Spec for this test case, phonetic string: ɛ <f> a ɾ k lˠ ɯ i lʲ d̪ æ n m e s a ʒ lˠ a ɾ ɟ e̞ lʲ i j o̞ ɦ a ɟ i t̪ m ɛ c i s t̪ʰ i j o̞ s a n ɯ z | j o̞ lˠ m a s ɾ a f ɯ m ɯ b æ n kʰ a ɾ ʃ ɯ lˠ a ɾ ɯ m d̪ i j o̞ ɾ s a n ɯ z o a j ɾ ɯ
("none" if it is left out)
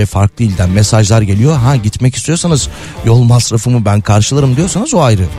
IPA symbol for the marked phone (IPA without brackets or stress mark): f